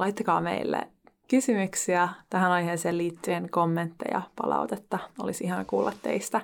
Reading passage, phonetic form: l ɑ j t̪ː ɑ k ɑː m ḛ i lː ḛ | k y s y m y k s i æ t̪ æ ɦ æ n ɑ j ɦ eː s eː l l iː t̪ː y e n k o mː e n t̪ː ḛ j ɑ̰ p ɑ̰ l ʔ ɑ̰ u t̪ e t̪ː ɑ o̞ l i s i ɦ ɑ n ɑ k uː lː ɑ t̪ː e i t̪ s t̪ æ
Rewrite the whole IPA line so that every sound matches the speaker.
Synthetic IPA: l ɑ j t̪ː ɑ k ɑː m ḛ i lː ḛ | k y s y m y k s i æ t̪ æ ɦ æ n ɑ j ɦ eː s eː l l iː t̪ː y e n k o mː e n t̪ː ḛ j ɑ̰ p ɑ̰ l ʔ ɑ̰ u t̪ e t̪ː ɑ o̞ l i s i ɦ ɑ n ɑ k uː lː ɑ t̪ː e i s t̪ æ